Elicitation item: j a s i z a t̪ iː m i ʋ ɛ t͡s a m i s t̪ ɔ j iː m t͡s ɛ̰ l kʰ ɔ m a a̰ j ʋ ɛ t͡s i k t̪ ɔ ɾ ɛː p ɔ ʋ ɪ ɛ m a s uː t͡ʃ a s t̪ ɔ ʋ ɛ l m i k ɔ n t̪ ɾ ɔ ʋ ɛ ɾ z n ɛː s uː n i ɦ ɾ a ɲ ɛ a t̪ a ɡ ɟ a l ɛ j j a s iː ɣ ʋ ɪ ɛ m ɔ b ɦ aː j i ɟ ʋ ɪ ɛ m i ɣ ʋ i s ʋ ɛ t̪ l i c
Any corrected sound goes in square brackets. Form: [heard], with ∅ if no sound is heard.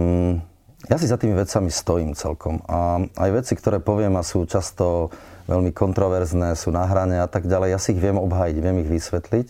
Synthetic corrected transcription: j a s i z a t̪ iː m i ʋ ɛ t͡s a m i s t̪ ɔ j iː m t͡s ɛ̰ l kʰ ɔ m a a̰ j ʋ ɛ t͡s i k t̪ ɔ ɾ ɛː p ɔ ʋ ɪ ɛ m a s uː t͡ʃ a s t̪ ɔ ʋ ɛ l m i k ɔ n t̪ ɾ ɔ ʋ ɛ ɾ z n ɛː s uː n [a] ɦ ɾ a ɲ ɛ a t̪ a ɡ ɟ a l ɛ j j a s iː ɣ ʋ ɪ ɛ m ɔ b ɦ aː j i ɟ ʋ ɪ ɛ m i ɣ ʋ i s ʋ ɛ t̪ l i c